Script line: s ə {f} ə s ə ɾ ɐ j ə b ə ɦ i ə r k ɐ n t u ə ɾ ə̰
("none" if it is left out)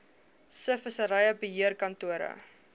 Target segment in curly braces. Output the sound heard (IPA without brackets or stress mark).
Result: f